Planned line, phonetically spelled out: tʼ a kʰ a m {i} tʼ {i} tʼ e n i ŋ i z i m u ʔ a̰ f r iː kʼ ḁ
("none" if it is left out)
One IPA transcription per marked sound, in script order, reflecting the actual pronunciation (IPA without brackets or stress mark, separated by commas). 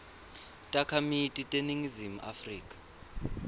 i, i